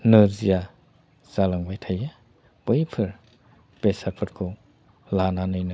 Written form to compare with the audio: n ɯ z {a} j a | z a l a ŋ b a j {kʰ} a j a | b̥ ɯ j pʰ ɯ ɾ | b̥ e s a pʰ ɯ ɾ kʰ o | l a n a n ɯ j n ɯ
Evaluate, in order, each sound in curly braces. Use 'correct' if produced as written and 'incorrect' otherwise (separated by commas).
incorrect, incorrect